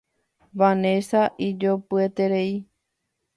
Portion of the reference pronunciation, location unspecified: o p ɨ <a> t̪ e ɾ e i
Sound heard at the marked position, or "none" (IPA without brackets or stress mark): e